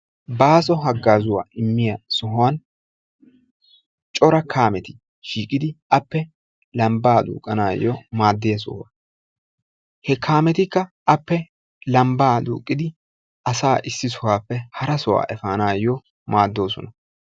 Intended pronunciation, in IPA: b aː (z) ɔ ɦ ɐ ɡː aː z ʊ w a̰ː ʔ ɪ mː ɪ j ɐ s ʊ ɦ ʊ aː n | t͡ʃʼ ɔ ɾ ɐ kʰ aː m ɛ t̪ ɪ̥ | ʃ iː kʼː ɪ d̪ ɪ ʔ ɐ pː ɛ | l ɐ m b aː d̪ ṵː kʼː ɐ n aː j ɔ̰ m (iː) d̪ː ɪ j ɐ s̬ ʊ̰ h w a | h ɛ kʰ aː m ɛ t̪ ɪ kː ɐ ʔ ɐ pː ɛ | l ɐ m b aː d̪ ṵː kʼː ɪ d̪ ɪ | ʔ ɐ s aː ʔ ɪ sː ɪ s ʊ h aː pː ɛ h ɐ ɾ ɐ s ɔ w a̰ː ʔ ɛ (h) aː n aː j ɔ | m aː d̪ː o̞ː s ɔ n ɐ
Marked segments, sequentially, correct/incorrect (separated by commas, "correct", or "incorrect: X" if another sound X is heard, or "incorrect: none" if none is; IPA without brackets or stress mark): incorrect: s, incorrect: aː, incorrect: f